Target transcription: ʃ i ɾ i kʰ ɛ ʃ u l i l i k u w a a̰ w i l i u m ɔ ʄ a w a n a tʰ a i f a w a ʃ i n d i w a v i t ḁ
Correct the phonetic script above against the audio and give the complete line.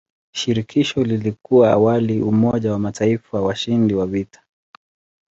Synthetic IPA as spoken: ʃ i ɾ i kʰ i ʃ ɔ l i l i k u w a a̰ w a l i u m ɔ ʄ a w a m a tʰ a i f a w a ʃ i n d i w a v i t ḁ